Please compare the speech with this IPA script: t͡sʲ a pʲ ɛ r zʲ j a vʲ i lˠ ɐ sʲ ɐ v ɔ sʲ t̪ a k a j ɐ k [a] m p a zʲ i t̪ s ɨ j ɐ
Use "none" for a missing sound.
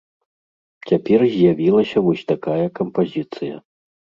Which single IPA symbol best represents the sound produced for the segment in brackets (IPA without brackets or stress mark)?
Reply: ɐ